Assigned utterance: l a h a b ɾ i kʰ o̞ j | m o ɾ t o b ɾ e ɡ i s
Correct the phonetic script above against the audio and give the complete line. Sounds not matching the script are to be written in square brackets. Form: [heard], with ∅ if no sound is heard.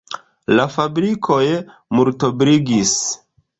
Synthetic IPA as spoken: l a [f] a b ɾ i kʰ o̞ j | m [u] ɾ t o b ɾ [i] ɡ i s